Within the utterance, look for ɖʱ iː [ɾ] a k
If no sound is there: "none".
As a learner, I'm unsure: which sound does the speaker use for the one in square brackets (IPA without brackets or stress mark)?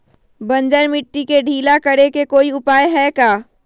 l